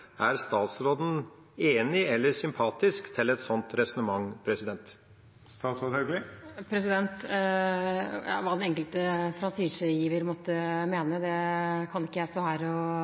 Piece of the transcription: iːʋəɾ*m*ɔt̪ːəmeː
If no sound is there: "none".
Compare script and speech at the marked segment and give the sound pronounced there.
m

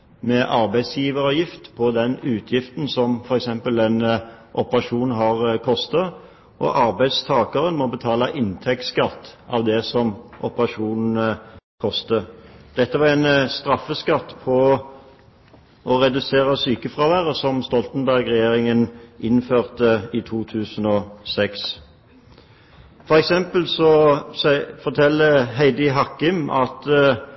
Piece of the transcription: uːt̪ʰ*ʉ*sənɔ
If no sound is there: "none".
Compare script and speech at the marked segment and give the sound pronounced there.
ʉː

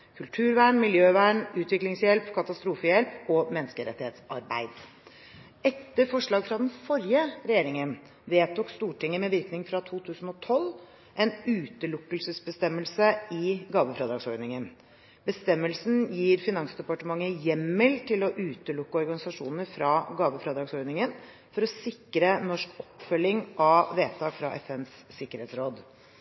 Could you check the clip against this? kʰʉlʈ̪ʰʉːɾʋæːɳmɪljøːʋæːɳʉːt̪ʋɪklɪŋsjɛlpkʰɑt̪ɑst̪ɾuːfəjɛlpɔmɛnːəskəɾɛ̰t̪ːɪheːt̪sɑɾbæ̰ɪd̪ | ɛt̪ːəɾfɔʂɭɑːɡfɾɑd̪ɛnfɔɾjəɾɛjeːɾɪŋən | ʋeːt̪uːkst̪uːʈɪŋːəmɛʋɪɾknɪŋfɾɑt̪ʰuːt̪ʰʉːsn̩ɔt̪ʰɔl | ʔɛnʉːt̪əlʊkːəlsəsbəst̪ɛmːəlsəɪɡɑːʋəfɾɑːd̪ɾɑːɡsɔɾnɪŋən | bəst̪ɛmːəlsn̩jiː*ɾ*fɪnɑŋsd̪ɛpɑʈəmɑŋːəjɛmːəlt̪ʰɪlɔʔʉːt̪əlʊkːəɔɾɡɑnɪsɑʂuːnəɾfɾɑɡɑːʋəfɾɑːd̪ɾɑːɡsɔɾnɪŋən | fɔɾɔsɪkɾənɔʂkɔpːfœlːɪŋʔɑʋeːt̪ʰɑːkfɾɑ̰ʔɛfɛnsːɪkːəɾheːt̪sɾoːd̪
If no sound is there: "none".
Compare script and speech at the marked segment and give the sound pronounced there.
ɾ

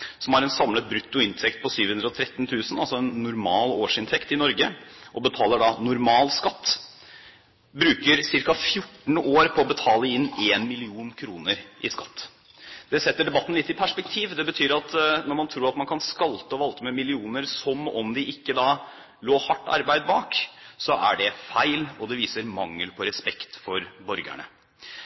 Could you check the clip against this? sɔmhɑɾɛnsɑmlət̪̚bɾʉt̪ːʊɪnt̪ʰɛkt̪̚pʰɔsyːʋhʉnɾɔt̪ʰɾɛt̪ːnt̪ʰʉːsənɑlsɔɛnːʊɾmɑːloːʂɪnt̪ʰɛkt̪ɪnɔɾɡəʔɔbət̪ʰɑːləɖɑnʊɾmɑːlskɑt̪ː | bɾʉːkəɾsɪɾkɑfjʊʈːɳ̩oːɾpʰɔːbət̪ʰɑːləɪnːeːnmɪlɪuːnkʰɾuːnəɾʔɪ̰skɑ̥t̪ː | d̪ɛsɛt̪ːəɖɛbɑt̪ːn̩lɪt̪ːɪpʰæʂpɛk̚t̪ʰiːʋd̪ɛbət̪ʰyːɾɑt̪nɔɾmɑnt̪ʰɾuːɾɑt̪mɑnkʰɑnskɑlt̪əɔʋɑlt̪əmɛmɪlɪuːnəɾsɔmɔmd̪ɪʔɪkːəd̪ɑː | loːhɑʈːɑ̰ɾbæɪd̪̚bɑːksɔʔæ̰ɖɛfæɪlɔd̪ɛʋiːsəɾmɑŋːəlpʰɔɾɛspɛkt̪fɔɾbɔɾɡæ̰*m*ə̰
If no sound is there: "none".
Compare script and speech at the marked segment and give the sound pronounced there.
ɳ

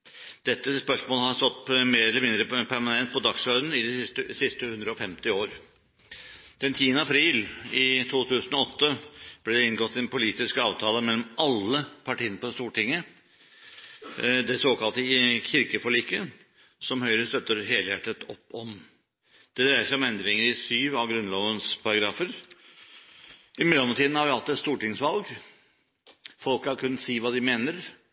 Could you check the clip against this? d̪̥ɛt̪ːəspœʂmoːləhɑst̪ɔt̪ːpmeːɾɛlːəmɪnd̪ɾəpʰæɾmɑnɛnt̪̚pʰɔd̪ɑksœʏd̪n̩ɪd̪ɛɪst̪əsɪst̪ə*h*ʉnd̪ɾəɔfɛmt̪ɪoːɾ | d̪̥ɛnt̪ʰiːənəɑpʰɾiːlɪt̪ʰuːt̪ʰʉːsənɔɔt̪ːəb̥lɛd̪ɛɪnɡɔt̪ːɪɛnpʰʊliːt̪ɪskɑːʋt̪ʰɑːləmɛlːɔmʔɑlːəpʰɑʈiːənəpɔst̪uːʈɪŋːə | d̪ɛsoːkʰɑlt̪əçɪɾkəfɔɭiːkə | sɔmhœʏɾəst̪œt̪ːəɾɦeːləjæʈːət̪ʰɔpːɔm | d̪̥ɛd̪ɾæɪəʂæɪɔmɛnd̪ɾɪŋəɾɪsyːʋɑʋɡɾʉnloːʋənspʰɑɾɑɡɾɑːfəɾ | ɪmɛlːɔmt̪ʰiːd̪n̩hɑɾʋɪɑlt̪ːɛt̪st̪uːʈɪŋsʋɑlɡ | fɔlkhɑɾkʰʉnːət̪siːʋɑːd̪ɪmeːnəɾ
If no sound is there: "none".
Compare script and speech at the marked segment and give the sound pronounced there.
h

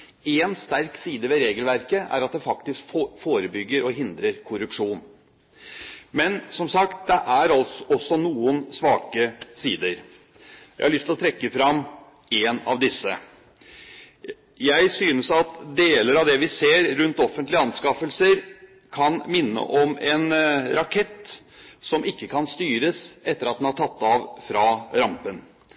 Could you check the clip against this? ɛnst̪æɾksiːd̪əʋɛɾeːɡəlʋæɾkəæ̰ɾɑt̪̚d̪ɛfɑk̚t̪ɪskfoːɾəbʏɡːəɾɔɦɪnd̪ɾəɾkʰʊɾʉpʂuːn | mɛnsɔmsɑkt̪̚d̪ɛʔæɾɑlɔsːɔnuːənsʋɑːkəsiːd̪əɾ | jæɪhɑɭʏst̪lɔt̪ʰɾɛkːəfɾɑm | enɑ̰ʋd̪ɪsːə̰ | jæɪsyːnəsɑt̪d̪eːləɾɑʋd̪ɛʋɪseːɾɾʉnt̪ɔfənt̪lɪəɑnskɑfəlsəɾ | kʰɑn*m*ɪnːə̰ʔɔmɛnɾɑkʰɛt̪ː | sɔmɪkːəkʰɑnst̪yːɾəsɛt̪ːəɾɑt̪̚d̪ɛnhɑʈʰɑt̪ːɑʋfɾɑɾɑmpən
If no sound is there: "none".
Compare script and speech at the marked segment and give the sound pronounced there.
m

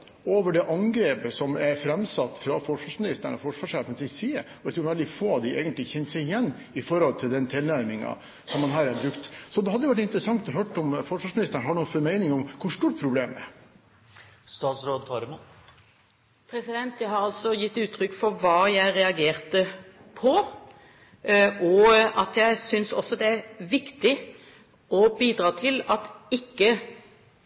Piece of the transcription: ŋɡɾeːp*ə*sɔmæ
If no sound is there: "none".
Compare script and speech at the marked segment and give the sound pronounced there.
ə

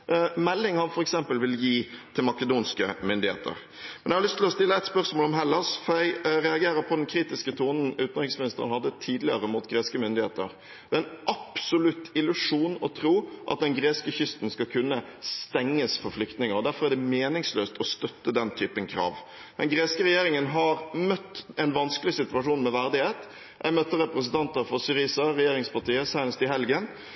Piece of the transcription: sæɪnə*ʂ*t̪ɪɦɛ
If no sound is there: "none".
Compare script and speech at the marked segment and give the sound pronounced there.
s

